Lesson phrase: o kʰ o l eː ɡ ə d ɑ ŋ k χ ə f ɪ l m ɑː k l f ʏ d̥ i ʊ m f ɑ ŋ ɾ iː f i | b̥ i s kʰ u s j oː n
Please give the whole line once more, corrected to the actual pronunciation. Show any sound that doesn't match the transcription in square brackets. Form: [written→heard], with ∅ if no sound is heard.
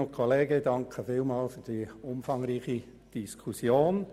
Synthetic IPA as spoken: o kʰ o l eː ɡ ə d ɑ ŋ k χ ə f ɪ l m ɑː [k→∅] l f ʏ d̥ i ʊ m f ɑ ŋ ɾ iː [f→χ] i | [b̥→d̥] i s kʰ u s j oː n